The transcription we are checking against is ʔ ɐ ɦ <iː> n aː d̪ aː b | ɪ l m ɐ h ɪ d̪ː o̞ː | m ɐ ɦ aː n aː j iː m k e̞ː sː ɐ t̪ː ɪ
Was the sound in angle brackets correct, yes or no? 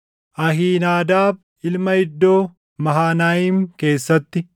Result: yes